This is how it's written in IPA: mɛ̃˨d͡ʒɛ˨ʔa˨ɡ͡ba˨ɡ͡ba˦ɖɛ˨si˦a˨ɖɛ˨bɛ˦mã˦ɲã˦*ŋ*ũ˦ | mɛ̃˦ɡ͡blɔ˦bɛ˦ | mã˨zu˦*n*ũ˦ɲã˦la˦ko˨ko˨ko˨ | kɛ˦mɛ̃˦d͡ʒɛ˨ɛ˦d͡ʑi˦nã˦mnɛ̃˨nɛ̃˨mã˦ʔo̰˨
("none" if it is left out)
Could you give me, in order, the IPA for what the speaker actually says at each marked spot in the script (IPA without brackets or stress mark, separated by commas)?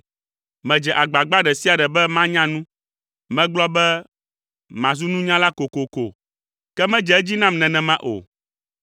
n, n